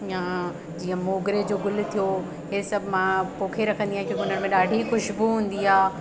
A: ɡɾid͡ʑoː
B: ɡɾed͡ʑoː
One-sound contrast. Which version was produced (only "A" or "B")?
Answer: B